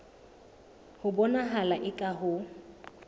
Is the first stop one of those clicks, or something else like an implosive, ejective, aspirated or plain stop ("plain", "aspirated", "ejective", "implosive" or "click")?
plain